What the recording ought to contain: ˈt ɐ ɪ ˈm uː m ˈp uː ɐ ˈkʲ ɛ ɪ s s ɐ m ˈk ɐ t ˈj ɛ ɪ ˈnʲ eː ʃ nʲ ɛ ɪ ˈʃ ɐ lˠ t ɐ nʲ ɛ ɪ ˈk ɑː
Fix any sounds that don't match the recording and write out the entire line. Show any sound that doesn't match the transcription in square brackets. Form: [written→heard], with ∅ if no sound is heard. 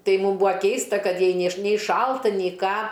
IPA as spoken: ˈt ɐ ɪ ˈm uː m [ˈp→ˈb] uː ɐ ˈkʲ ɛ ɪ s [s→t] ɐ [m→∅] ˈk ɐ t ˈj ɛ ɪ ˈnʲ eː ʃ nʲ ɛ ɪ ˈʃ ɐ lˠ t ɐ nʲ ɛ ɪ ˈk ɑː